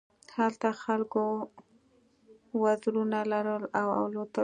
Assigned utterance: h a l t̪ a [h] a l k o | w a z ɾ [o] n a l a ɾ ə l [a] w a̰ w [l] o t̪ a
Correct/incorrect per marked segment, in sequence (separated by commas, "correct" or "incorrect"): incorrect, incorrect, correct, correct